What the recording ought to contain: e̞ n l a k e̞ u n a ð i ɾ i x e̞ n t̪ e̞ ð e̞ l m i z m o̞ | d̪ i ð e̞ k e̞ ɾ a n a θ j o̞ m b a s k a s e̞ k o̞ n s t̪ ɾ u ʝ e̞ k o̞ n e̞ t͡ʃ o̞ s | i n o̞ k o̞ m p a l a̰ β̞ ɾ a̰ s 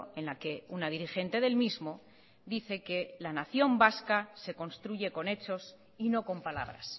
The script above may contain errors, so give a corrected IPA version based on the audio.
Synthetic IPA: e̞ n l a k e̞ u n a ð i ɾ i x e̞ n t̪ e̞ ð e̞ l m i z m o̞ | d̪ i θ e̞ k e̞ l a n a θ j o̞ m b a s k a s e̞ k o̞ n s t̪ ɾ u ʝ e̞ k o̞ n e̞ t͡ʃ o̞ s | i n o̞ k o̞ m p a l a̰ β̞ ɾ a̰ s

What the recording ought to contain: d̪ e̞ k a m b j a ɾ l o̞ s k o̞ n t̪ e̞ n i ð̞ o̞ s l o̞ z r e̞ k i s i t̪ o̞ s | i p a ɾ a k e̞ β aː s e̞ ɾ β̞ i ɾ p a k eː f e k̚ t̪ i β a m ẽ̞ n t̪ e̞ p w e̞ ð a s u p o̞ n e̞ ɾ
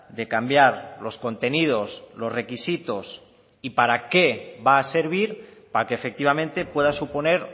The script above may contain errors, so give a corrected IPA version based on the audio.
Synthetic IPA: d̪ e̞ k a m b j a ɾ l o̞ s k o̞ n t̪ e̞ n i ð̞ o̞ s l o̞ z r e̞ k i s i t̪ o̞ s | i p a ɾ a k e̞ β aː s e̞ ɾ β̞ i ɾ p a k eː f e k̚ t̪ i β a m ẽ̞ n t̪ e̞ p w e̞ ð a s u p o̞ n e̞ ɾ

